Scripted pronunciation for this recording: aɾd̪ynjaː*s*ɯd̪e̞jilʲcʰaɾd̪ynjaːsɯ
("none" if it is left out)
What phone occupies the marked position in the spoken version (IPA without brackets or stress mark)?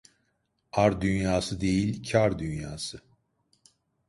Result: s